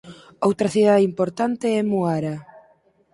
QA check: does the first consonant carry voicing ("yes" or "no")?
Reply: yes